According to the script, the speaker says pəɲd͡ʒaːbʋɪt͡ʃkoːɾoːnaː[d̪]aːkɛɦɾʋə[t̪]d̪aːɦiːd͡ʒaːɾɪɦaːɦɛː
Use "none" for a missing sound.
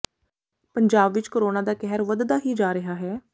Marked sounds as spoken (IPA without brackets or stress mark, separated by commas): d̪, d̪